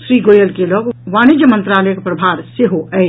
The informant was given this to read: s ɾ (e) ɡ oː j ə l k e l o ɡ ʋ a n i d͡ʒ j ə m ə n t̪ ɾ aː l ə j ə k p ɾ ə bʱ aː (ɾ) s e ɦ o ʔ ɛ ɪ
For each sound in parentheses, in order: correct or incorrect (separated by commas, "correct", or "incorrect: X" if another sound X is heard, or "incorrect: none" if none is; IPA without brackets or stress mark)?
incorrect: i, correct